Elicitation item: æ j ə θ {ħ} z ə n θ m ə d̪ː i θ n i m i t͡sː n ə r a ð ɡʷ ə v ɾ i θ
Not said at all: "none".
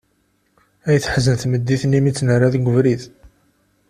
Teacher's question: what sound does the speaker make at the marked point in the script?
ħ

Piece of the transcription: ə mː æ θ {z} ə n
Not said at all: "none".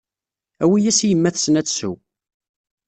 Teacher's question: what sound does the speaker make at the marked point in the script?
s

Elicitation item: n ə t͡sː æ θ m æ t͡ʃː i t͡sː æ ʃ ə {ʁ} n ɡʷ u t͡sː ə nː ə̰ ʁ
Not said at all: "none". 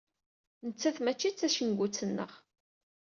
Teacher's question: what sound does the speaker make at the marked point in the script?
none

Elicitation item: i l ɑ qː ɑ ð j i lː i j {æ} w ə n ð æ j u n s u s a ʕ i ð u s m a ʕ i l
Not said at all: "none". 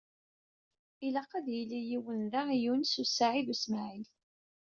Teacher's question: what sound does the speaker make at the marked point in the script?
i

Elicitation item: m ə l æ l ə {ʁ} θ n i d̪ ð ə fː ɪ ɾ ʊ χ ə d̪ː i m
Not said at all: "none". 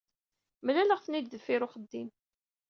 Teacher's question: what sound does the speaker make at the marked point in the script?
ʁ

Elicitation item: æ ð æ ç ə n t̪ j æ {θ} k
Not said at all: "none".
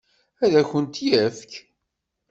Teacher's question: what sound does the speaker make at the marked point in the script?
f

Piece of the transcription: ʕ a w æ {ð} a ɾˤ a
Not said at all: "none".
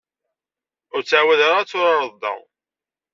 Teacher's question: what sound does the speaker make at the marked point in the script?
ð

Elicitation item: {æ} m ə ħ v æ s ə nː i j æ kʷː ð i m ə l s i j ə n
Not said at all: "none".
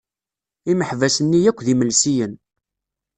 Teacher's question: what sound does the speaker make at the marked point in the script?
i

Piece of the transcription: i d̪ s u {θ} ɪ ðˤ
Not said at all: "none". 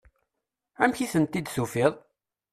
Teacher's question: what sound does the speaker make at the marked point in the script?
f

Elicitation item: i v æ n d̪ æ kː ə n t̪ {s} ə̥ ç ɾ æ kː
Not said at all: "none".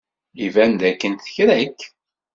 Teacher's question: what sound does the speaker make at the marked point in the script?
θ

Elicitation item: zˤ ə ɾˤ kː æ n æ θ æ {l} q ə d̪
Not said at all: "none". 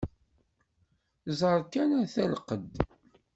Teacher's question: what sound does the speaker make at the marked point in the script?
l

